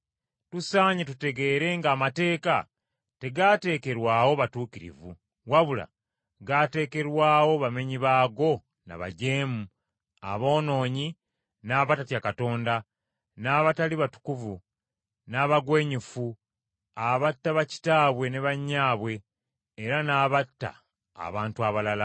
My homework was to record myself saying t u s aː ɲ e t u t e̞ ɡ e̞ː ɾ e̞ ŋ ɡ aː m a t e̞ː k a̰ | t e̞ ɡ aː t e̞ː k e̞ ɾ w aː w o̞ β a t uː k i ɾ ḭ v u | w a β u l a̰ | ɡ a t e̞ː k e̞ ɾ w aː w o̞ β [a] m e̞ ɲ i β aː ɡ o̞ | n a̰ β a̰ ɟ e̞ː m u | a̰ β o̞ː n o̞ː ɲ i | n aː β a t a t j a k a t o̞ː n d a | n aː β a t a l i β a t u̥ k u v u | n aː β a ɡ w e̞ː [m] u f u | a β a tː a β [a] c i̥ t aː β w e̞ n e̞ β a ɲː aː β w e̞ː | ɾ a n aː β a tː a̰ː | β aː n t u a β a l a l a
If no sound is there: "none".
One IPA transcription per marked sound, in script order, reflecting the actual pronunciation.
a, ɲ, a

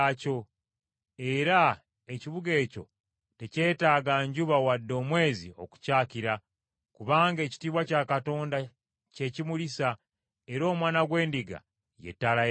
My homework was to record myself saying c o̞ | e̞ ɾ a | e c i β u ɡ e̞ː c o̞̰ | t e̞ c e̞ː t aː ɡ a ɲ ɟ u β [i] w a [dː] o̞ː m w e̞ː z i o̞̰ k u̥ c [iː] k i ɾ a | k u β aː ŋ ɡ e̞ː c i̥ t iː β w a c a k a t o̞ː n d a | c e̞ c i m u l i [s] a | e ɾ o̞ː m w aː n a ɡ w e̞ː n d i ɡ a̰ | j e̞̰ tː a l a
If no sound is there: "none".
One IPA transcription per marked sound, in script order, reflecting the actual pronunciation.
a, dː, aː, s

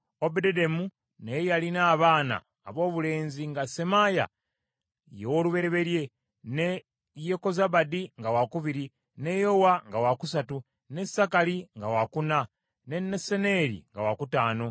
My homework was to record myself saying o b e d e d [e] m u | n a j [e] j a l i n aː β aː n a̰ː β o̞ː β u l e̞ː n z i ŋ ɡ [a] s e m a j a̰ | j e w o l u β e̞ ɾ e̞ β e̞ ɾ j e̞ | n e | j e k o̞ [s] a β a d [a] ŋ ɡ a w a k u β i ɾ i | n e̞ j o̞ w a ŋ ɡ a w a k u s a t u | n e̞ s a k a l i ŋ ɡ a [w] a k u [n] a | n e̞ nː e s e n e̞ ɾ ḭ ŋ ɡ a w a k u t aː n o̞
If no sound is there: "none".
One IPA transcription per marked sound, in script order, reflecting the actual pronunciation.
e, e, a, z, i, w, n

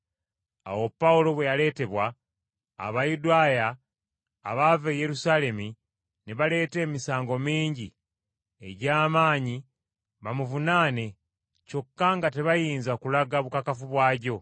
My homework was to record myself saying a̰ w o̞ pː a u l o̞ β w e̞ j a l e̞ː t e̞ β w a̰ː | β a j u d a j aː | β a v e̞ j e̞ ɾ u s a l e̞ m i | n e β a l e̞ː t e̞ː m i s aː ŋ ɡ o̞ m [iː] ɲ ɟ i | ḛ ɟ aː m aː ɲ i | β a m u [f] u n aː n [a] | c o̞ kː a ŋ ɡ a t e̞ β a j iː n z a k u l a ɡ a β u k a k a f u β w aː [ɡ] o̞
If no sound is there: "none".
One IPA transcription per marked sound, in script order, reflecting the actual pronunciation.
iː, v, e, ɟ

